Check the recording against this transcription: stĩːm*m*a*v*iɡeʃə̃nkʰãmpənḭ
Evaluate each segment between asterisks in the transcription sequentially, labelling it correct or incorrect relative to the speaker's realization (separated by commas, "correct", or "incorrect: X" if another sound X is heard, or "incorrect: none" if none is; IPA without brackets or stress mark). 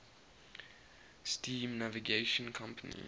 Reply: incorrect: n, correct